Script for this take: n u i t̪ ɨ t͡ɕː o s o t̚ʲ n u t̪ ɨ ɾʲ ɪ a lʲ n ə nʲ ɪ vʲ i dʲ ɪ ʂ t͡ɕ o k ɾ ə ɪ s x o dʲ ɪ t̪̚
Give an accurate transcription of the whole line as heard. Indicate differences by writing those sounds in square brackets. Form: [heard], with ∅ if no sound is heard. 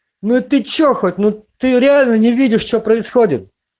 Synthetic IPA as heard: n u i t̪ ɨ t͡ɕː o [x] o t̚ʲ n u t̪ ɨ ɾʲ ɪ a lʲ n ə nʲ ɪ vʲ i dʲ ɪ ʂ t͡ɕ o [p] ɾ ə ɪ s x o dʲ ɪ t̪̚